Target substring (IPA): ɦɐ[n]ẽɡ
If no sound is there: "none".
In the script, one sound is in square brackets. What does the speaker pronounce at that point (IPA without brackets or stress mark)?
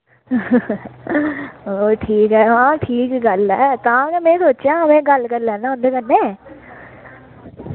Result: m